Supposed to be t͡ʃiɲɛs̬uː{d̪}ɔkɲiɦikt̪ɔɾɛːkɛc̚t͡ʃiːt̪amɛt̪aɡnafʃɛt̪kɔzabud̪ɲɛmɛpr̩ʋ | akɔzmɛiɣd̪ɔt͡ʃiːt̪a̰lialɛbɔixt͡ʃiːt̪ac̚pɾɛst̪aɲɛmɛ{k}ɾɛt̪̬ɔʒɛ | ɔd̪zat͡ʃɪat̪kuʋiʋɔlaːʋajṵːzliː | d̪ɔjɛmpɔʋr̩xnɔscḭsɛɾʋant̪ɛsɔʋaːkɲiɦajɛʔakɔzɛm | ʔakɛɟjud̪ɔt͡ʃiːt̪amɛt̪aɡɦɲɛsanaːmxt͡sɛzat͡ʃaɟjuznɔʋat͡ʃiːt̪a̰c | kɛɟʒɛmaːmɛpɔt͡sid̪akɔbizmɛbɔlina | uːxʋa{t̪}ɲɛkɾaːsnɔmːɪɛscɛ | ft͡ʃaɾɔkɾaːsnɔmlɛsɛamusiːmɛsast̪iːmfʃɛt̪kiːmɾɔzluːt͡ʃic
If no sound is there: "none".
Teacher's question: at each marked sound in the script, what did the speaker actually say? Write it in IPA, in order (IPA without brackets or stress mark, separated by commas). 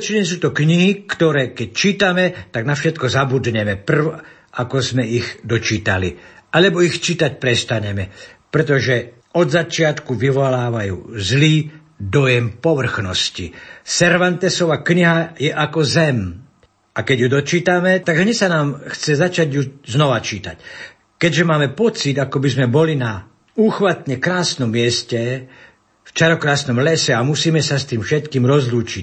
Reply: t̪, p, t̪